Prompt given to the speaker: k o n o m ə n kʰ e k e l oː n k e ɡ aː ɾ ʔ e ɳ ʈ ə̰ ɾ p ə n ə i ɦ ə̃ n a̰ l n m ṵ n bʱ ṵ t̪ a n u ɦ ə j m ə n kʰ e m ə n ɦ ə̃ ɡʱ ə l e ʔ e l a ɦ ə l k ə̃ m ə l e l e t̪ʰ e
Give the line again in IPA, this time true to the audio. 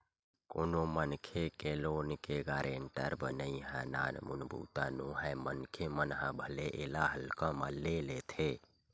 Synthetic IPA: k o n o m ə n kʰ e k e l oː n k e ɡ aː ɾ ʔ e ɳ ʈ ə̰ ɾ b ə n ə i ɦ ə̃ n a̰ n m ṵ n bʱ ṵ t̪ a n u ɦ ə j m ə n kʰ e m ə n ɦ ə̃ bʱ ə l e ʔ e l a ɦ ə l k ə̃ m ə l e l e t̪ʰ e

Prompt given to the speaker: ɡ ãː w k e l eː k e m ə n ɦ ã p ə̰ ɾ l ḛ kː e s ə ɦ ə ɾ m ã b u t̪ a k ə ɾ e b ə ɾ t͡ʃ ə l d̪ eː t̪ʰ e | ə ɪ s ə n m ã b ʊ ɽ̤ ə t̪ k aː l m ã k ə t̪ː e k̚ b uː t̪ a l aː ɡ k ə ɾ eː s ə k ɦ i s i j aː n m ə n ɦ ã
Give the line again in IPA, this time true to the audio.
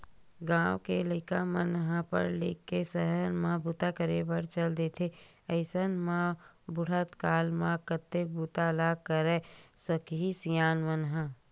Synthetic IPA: ɡ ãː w k e l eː k a m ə n ɦ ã p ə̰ ɾ l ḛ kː e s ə ɦ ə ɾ m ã b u t̪ a k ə ɾ e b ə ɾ t͡ʃ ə l d̪ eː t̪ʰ e | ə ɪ s ə n m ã b ʊ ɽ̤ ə t̪ k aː l m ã k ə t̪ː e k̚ b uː t̪ a l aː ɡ k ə ɾ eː s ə k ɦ i s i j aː n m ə n ɦ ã

